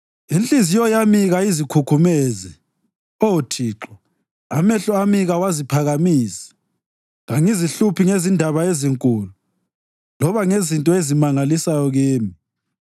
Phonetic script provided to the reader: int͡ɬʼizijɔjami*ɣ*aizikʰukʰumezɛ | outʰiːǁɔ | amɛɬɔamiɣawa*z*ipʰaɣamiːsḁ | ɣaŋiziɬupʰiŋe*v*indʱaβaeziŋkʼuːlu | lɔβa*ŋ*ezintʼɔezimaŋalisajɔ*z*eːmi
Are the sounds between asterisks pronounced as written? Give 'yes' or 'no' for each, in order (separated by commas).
yes, yes, no, yes, no